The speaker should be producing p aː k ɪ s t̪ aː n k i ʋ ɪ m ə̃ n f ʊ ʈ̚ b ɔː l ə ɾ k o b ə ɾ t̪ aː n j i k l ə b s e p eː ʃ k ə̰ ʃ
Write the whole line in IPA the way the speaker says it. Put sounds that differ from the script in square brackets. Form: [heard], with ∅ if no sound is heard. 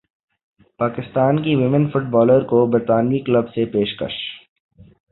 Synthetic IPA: p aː k ɪ s t̪ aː n k i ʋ ɪ m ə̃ n f ʊ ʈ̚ b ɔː l ə ɾ k o b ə ɾ t̪ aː n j i k l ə b s e p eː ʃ k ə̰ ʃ